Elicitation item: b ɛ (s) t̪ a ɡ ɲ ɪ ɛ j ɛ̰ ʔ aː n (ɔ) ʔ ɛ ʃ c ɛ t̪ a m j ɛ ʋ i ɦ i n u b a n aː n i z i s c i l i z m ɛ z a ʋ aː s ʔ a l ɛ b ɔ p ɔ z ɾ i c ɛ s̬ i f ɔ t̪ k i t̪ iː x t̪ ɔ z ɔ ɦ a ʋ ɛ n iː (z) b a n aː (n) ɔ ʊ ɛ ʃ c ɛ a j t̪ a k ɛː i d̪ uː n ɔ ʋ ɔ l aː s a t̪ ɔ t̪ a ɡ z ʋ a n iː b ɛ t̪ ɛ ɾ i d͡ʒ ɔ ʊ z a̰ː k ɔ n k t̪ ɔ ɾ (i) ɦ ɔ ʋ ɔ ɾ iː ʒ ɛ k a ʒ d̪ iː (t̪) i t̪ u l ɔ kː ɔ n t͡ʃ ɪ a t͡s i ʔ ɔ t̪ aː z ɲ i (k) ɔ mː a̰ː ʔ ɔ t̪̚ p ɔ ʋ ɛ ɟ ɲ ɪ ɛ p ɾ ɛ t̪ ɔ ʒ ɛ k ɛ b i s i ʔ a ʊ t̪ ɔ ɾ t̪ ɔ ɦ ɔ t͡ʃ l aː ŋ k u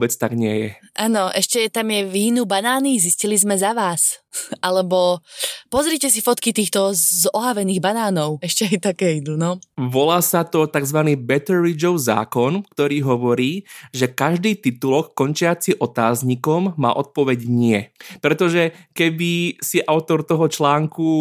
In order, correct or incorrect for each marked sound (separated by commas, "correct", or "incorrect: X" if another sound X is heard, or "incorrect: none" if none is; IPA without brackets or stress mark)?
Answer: incorrect: t͡s, correct, incorrect: ɣ, correct, incorrect: iː, correct, correct